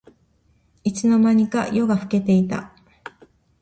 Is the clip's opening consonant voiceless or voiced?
voiceless